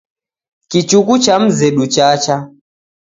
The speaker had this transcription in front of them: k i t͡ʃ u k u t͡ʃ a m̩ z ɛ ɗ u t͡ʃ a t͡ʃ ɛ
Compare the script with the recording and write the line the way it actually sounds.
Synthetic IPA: k i t͡ʃ u k u t͡ʃ a m̩ z ɛ ɗ u t͡ʃ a t͡ʃ a